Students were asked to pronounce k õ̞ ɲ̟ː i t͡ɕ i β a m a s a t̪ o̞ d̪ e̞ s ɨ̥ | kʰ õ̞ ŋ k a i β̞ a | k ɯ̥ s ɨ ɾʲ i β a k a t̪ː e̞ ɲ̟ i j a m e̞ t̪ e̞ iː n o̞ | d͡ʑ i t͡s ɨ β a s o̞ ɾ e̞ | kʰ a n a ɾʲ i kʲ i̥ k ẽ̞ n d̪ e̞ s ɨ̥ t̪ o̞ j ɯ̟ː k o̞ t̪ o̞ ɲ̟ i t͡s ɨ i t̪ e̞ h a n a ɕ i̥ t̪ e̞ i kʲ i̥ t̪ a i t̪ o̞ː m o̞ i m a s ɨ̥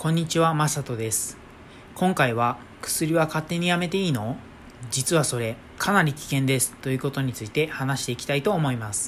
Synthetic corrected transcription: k õ̞ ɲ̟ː i t͡ɕ i β a m a s a t̪ o̞ d̪ e̞ s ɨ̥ | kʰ õ̞ ŋ k a i β̞ a | k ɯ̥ s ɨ ɾʲ i β a k a t̪ː e̞ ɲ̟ i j a m e̞ t̪ e̞ iː n o̞ | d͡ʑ i t͡s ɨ β a s o̞ ɾ e̞ | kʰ a n a ɾʲ i kʲ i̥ k ẽ̞ n d̪ e̞ s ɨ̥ t̪ o̞ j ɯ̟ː k o̞ t̪ o̞ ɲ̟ i t͡s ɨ i t̪ e̞ h a n a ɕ i̥ t̪ e̞ i kʲ i̥ t̪ a i t̪ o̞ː m o̞ i m a s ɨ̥